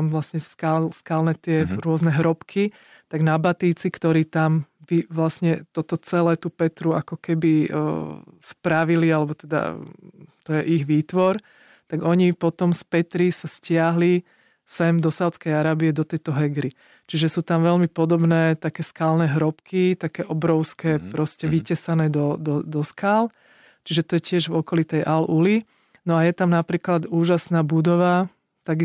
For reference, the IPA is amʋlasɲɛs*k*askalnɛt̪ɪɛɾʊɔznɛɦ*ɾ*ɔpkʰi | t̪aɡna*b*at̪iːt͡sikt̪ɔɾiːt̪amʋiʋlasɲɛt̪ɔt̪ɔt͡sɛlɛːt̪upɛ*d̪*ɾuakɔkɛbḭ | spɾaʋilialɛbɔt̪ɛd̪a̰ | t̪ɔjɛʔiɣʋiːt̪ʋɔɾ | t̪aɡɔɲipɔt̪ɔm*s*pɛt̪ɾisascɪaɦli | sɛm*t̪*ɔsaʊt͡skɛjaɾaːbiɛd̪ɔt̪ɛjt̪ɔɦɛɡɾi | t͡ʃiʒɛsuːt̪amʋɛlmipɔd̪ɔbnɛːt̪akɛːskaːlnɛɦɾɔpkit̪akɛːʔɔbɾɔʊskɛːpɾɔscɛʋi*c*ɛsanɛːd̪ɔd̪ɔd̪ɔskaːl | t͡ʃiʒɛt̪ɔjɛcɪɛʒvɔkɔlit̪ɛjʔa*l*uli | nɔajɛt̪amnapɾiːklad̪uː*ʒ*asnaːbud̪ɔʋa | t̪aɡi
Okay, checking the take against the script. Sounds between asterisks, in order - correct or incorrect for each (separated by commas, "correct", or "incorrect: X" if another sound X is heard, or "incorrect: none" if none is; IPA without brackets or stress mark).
correct, correct, correct, incorrect: t̪, correct, incorrect: d̪, correct, correct, correct